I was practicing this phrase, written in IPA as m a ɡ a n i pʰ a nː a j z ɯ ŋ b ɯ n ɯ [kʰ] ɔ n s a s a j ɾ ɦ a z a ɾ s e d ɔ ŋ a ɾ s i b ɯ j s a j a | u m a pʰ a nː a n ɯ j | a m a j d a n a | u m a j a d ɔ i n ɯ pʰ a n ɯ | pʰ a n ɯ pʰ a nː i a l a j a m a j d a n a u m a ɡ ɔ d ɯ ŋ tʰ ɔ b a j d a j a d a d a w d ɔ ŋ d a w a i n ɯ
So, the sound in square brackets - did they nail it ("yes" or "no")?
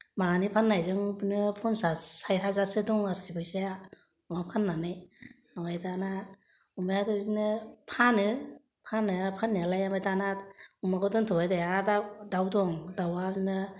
no